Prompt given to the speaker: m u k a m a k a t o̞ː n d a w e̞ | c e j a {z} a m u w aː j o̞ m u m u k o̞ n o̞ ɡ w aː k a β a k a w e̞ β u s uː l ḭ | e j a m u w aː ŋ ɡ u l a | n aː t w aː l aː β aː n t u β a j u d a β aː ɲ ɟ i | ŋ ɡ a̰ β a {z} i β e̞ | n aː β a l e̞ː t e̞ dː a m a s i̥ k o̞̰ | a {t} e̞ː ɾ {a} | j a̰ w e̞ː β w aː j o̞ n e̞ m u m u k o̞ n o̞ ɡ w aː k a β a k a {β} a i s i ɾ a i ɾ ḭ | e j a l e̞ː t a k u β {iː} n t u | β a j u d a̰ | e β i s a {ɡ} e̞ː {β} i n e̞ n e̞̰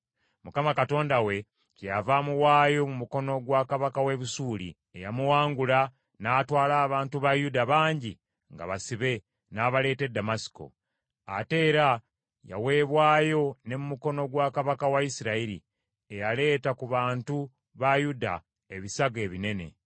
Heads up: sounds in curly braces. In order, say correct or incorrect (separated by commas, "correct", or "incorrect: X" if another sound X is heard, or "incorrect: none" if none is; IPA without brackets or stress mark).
incorrect: v, incorrect: s, correct, correct, incorrect: w, incorrect: aː, correct, correct